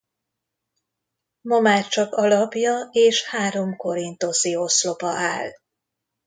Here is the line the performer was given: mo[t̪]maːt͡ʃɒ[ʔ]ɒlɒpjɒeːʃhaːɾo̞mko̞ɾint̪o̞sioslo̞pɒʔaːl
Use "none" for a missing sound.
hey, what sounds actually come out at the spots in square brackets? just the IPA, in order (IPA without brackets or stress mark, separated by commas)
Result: none, k